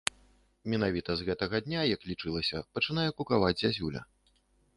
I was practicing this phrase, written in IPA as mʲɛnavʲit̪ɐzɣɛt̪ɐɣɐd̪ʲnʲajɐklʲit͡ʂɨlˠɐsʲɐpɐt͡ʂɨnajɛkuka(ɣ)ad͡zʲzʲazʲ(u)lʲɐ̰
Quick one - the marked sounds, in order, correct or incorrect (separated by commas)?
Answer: incorrect, correct